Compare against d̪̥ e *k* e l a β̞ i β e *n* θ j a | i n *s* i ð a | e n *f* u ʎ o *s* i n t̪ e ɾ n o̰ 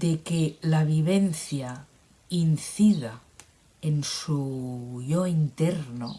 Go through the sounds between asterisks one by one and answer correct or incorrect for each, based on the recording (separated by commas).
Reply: correct, correct, incorrect, incorrect, incorrect